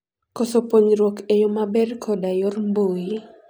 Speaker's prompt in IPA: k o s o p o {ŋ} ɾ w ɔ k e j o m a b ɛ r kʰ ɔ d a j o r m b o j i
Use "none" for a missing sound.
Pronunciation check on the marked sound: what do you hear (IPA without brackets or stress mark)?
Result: ɲ